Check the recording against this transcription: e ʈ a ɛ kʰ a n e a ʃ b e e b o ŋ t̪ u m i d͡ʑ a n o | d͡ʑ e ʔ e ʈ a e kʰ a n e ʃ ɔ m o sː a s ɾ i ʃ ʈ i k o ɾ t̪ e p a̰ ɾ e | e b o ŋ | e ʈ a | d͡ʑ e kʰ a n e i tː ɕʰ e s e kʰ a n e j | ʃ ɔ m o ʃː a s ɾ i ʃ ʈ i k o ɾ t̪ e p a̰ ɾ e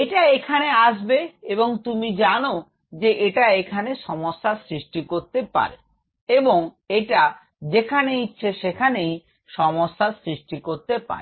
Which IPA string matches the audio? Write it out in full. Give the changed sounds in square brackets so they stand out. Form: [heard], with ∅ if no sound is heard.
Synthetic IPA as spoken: e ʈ a [e] kʰ a n e a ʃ b e e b o ŋ t̪ u m i d͡ʑ a n o | d͡ʑ e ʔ e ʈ a e kʰ a n e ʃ ɔ m o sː a s ɾ i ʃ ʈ i k o ɾ t̪ e p a̰ ɾ e | e b o ŋ | e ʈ a | d͡ʑ e kʰ a n e i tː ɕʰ e [ʃ] e kʰ a n e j | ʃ ɔ m o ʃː a s ɾ i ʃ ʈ i k o ɾ t̪ e p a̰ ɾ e